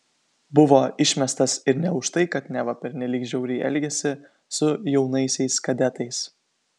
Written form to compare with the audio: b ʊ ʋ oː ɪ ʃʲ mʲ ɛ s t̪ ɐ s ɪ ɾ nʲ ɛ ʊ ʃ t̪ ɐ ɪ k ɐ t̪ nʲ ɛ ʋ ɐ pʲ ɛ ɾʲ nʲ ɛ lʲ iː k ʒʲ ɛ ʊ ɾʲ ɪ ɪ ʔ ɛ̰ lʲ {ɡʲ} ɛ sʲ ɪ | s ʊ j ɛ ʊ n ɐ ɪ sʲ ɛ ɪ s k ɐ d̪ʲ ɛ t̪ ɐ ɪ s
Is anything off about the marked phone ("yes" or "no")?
no